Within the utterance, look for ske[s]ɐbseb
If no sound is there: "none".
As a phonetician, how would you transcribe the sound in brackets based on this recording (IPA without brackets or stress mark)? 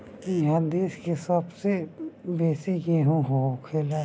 s